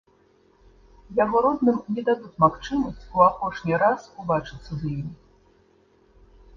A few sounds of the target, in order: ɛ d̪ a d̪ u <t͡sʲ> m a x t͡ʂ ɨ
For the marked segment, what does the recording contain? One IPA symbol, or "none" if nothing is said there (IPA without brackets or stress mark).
t͡sʲ